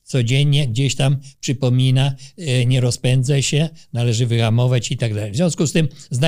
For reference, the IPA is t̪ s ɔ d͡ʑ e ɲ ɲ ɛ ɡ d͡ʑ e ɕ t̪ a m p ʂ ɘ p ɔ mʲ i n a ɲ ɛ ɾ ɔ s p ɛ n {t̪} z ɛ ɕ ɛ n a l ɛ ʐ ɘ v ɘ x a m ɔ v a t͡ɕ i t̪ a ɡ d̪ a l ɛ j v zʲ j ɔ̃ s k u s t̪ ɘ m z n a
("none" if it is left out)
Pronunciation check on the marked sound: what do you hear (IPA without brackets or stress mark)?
d̪